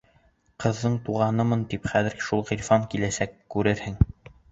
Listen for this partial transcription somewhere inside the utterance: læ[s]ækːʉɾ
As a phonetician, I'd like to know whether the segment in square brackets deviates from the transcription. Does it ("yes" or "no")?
no